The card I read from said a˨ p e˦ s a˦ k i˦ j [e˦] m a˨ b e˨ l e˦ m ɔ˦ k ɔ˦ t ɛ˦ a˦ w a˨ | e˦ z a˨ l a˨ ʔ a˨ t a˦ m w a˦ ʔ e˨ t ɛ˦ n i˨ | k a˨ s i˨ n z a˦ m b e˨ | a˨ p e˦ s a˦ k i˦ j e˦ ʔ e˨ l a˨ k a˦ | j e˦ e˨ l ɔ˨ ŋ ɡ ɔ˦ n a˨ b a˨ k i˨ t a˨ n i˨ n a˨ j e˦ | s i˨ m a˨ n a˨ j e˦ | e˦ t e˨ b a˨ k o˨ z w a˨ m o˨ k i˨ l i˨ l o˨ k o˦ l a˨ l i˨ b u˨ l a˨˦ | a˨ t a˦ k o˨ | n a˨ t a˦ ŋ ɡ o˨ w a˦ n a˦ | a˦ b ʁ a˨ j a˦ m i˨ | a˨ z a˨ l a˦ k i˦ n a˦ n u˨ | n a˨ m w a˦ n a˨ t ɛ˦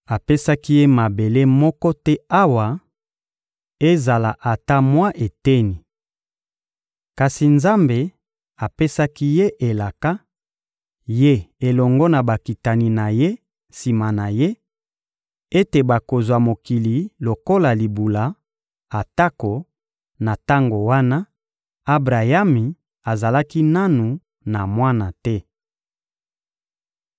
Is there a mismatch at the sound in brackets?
no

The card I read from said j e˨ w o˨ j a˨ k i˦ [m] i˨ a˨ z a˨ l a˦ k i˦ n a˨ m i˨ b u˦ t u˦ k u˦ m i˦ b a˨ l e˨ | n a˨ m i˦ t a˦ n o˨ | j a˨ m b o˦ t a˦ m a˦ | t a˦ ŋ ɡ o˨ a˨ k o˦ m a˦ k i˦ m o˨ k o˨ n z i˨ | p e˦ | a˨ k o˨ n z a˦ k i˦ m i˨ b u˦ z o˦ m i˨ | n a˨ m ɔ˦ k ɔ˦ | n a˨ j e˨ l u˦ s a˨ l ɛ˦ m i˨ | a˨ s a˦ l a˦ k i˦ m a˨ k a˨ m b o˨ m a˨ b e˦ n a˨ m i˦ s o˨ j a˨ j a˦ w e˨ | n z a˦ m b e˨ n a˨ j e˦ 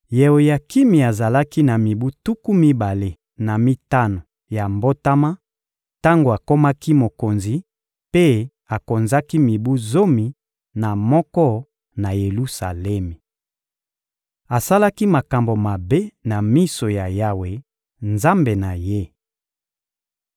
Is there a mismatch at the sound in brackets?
no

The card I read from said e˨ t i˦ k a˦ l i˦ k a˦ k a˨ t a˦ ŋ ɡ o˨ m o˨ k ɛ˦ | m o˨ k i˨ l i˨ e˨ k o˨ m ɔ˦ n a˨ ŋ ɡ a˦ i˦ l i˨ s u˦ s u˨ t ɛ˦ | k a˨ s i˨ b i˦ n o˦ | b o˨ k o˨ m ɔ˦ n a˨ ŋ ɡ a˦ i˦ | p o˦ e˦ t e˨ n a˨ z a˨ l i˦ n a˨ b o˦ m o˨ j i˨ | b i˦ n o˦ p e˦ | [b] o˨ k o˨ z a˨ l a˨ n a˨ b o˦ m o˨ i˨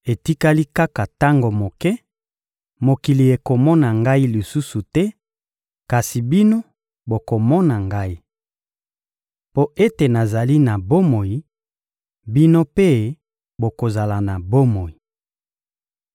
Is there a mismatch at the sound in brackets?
no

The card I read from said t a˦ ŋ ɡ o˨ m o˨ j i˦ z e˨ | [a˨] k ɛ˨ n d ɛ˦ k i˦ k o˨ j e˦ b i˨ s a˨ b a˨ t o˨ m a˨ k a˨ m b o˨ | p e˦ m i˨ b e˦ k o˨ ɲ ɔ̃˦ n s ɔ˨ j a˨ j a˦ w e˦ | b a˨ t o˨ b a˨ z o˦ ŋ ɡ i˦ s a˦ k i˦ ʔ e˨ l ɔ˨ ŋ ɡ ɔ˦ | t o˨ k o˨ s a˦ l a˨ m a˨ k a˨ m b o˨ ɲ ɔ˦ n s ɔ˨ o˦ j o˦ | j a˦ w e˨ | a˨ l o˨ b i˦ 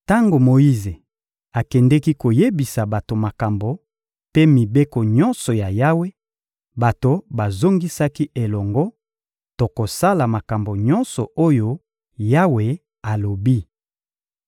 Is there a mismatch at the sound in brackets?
no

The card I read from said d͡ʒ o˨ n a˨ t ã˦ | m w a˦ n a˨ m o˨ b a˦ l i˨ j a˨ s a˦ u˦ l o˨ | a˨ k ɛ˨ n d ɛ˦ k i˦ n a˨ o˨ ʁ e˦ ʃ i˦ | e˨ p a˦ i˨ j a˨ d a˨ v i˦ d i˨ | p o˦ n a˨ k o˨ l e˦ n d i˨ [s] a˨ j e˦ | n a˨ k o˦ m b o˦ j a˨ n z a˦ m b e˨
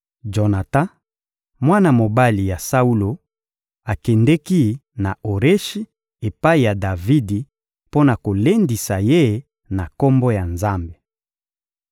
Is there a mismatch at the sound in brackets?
no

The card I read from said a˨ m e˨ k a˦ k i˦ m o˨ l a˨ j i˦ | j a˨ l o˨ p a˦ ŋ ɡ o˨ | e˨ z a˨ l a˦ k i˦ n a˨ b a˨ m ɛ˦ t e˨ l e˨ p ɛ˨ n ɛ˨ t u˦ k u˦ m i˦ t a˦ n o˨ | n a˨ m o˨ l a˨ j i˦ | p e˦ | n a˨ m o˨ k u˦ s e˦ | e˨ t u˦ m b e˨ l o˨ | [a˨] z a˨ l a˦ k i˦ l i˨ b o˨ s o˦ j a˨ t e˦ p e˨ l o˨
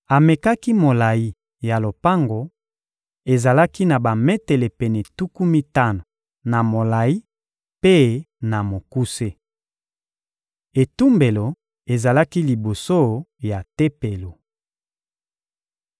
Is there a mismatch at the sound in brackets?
yes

